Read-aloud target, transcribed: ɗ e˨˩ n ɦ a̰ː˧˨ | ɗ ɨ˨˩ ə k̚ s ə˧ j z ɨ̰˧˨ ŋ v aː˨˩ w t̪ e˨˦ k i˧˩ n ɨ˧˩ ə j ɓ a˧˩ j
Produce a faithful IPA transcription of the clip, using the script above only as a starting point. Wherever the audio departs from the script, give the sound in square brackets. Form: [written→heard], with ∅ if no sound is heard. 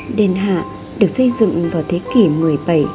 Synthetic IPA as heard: ɗ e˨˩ n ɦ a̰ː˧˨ | ɗ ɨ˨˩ ə k̚ s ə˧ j z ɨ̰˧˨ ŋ v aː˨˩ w [t̪→t̪ʰ] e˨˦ k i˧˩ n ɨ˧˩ ə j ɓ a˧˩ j